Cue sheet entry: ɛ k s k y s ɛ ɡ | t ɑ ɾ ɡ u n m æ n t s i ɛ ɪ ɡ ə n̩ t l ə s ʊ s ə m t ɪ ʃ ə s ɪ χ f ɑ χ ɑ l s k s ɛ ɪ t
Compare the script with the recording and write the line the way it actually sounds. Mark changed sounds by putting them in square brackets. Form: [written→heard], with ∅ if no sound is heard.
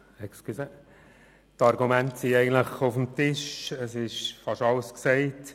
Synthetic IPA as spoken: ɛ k s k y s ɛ [ɡ→∅] | t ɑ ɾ ɡ u [n→∅] m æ n t s i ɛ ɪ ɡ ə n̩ t l ə [s→χ] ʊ [s→f] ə m t ɪ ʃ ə s ɪ [χ→ʃ] f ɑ [χ→ʃ] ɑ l s k s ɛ ɪ t